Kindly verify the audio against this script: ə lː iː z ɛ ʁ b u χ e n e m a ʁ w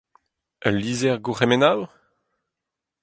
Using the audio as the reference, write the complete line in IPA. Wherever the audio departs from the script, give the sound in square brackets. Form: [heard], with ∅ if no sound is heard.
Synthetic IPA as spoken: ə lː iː z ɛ ʁ [ɡ] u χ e [m] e [n] a [∅] w